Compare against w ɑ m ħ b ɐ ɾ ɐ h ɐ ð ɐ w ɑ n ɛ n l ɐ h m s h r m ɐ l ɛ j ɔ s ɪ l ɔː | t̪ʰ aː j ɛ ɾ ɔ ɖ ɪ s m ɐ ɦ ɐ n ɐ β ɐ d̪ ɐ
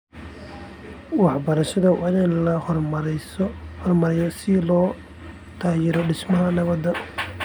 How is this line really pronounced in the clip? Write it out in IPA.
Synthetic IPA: w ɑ ħ b ɐ ɾ ɐ ʃ ɐ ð ɐ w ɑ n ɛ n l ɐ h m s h r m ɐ ɾ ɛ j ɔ s ɪ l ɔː | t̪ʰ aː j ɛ ɾ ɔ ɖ ɪ s m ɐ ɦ ɐ n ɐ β ɐ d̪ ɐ